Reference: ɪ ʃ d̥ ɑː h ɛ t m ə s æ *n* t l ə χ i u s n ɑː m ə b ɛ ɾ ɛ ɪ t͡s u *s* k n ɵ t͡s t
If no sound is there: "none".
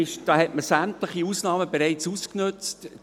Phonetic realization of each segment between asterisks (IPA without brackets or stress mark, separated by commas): m, s